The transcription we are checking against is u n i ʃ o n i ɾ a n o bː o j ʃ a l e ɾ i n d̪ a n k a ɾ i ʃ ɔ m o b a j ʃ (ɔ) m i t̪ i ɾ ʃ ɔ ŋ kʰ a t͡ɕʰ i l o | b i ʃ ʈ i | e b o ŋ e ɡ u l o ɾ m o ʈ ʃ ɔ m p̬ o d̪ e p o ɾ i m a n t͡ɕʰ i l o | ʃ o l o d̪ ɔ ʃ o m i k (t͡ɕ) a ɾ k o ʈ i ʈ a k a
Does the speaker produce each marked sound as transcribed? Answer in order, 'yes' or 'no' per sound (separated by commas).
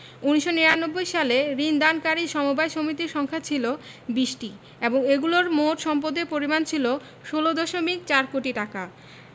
no, yes